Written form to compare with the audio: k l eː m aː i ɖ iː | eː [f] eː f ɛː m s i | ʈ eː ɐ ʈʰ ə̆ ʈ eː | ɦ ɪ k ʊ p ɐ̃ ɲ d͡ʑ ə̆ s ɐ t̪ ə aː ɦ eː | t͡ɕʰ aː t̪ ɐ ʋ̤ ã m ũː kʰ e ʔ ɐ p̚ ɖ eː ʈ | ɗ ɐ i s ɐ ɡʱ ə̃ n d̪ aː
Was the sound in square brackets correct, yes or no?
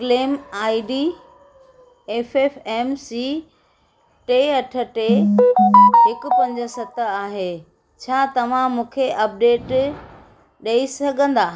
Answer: yes